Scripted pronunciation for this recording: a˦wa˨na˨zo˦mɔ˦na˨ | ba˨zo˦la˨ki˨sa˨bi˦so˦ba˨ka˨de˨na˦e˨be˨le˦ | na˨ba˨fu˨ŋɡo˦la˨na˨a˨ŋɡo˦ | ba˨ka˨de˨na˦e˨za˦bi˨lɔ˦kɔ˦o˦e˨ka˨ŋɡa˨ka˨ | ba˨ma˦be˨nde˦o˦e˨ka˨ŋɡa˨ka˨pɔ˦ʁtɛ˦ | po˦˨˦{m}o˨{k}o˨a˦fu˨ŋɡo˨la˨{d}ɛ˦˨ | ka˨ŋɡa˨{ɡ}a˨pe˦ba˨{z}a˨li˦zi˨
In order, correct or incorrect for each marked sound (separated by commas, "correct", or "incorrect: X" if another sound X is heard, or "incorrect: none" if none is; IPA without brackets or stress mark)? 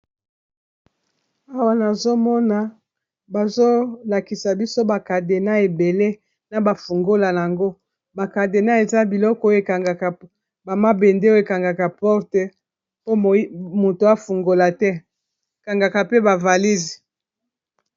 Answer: correct, incorrect: t, incorrect: t, incorrect: k, incorrect: v